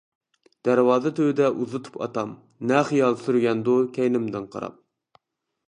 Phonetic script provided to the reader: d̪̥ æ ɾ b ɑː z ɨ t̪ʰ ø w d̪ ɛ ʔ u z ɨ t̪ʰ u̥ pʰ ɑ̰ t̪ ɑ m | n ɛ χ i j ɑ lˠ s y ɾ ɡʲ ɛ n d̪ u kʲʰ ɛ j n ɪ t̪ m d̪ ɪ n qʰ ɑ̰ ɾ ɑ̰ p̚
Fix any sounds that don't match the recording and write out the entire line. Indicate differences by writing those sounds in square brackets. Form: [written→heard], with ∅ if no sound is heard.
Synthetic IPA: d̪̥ æ ɾ [b→w] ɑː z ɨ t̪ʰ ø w d̪ ɛ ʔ u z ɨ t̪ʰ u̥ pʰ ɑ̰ t̪ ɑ m | n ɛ χ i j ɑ lˠ s y ɾ ɡʲ ɛ n d̪ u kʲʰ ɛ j n ɪ [t̪→∅] m d̪ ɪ n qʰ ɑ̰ ɾ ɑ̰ p̚